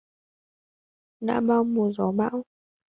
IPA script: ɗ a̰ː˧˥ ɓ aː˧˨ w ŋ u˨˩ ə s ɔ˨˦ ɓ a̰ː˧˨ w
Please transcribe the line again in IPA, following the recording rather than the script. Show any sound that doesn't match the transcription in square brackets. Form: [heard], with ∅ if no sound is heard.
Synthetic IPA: ɗ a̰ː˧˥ ɓ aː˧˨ w [m] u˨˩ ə [z] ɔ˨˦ ɓ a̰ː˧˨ w